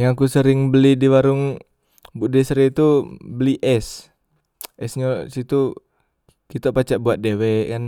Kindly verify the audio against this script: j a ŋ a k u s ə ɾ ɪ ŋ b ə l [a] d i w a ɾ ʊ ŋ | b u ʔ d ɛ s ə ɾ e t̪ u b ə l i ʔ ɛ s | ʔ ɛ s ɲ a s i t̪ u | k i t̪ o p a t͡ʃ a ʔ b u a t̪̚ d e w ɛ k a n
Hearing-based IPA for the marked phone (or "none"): i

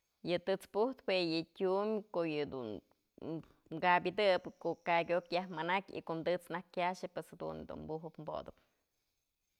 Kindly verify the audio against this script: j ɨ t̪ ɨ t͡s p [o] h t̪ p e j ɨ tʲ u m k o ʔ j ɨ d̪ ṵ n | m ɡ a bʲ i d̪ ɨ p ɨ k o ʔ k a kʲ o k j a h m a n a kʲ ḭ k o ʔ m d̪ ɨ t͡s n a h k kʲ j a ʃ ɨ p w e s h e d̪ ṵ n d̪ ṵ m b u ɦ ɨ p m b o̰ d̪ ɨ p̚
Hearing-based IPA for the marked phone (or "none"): u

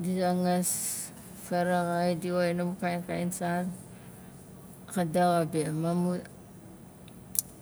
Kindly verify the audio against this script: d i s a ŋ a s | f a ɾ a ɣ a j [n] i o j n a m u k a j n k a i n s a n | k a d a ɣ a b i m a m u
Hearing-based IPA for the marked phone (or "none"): d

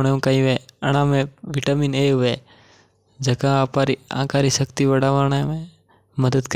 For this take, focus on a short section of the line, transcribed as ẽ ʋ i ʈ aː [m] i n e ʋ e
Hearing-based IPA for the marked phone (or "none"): m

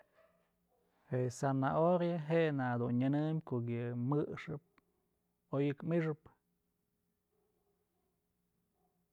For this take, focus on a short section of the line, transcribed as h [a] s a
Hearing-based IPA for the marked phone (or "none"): e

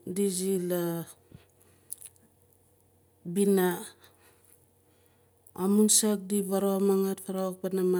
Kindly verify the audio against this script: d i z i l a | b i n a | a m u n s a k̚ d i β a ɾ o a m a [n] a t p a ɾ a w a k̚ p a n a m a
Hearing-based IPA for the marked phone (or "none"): ŋ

